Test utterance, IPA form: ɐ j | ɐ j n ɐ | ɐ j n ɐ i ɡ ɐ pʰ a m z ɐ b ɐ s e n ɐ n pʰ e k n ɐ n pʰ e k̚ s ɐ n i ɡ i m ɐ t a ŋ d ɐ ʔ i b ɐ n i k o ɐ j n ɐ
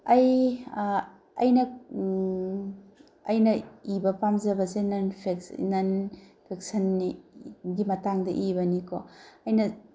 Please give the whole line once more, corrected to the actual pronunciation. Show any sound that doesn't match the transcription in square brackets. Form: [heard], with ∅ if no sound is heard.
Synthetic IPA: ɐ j | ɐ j n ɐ | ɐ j n ɐ i [b] ɐ [p] a m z ɐ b ɐ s e n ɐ n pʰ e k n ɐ n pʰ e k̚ s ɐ n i ɡ i m ɐ t a ŋ d ɐ ʔ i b ɐ n i k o ɐ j n ɐ